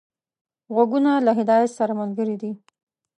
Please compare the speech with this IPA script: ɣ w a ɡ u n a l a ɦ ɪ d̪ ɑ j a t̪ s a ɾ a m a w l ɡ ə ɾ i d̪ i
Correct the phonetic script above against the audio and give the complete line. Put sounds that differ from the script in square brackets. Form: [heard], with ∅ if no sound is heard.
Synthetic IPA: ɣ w a ɡ u n a l a ɦ ɪ d̪ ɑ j a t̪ s a ɾ a m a [∅] l ɡ ə ɾ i d̪ i